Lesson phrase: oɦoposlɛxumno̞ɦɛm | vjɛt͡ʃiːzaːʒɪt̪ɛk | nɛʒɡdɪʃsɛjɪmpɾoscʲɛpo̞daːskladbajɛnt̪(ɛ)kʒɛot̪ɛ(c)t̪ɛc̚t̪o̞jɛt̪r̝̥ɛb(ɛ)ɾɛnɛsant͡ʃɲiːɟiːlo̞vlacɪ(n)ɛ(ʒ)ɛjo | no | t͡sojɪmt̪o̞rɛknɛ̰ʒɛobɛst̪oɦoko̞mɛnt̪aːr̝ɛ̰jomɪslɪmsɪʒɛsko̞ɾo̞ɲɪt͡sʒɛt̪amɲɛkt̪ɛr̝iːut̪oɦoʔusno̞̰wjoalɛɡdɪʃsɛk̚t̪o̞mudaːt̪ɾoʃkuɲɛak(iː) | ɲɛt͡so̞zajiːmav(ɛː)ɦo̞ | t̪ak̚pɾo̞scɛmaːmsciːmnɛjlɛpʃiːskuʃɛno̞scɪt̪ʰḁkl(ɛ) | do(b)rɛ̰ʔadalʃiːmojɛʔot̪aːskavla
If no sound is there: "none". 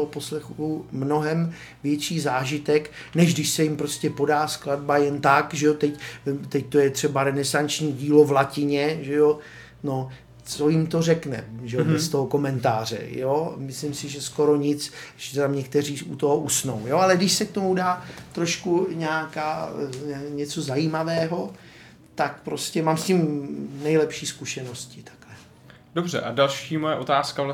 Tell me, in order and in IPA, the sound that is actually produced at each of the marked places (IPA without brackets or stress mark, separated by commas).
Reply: a, c, a, ɲ, ʒ, aː, ɛː, ɛ, b